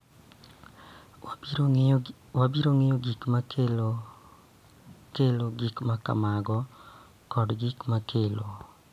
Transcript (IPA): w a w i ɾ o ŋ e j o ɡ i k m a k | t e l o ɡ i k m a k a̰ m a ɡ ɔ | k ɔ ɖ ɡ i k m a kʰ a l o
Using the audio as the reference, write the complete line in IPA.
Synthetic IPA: w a b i ɾ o ŋ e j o ɡ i k m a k | k e l o ɡ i k m a k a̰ m a ɡ ɔ | k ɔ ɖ ɡ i k m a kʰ e l o

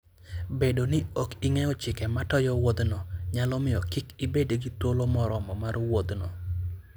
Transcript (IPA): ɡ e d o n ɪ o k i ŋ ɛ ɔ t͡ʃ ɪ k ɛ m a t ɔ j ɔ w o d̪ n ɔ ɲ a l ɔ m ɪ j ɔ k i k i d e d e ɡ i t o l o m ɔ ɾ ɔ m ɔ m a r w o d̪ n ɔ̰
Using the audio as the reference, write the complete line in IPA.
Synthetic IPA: b e d o n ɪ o k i ŋ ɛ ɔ t͡ʃ ɪ k ɛ m a t ɔ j ɔ w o d̪ n ɔ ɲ a l ɔ m ɪ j ɔ k i k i b e d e ɡ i t o l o m ɔ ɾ ɔ m ɔ m a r w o d̪ n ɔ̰

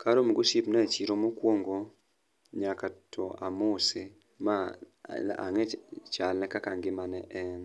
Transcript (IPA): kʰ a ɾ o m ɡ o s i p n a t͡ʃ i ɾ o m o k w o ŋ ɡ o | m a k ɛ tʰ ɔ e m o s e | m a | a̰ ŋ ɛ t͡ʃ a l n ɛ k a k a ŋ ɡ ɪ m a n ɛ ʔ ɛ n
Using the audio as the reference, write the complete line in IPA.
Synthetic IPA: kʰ a ɾ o m ɡ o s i p n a t͡ʃ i ɾ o m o k w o ŋ ɡ o | ɲ a k a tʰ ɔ a m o s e | m a | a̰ ŋ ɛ t͡ʃ a l n ɛ k a k a ŋ ɡ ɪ m a n ɛ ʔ ɛ n

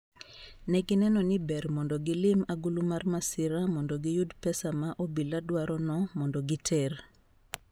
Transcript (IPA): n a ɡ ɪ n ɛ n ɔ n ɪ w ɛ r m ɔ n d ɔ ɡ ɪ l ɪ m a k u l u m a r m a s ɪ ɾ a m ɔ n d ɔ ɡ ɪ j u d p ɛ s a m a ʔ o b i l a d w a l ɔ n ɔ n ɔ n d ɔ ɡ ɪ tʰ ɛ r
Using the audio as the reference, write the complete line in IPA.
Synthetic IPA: n ɛ ɡ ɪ n ɛ n ɔ n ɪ b ɛ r m ɔ n d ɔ ɡ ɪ l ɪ m a ɡ u l u m a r m a s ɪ ɾ a m ɔ n d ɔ ɡ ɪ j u d p ɛ s a m a ʔ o b i l a d w a ɾ ɔ n ɔ m ɔ n d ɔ ɡ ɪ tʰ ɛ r

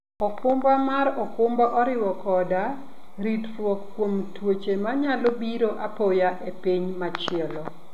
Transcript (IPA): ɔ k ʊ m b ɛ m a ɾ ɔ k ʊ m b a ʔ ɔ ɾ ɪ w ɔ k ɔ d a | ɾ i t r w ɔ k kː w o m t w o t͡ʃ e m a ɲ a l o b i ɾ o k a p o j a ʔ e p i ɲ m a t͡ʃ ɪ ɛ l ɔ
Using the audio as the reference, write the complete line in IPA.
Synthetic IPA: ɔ k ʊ m b a m a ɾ ɔ k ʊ m b a ʔ ɔ ɾ ɪ w ɔ k ɔ d a | ɾ i t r w ɔ k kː w o m t w o t͡ʃ e m a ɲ a l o b i ɾ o ʔ a p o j a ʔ e p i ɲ m a t͡ʃ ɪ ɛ l ɔ

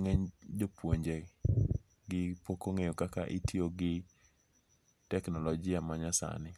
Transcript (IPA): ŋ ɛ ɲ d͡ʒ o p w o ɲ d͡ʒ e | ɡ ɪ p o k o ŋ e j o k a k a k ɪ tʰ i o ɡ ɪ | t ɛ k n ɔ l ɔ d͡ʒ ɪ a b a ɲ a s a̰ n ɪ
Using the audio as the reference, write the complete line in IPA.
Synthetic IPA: ŋ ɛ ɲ d͡ʒ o p w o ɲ d͡ʒ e | ɡ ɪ p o k o ŋ e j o k a k a ʔ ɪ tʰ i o ɡ ɪ | t ɛ k n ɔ l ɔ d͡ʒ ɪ a m a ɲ a s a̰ n ɪ

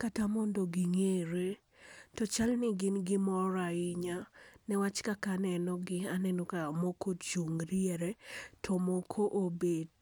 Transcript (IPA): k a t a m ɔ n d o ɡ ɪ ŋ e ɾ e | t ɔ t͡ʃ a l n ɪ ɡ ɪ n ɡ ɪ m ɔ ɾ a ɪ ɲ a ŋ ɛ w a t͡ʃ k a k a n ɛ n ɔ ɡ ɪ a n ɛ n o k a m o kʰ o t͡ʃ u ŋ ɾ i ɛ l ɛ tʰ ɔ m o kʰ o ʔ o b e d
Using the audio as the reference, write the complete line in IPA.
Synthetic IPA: k a t a m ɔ n d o ɡ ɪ ŋ e ɾ e | t ɔ t͡ʃ a l n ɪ ɡ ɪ n ɡ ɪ m ɔ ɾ a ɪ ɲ a n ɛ w a t͡ʃ k a k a n ɛ n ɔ ɡ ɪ a n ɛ n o k a m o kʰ o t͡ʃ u ŋ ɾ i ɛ ɾ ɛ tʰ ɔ m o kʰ o ʔ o b e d

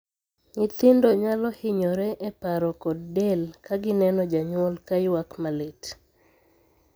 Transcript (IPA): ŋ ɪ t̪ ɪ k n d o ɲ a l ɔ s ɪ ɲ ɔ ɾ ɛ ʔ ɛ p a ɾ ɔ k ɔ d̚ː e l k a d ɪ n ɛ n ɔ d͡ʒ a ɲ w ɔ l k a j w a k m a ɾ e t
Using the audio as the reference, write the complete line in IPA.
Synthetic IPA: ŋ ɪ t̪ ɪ n d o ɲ a l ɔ h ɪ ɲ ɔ ɾ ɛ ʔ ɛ p a ɾ ɔ k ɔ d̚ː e l k a ɡ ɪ n ɛ n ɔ d͡ʒ a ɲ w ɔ l k a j w a k m a l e t

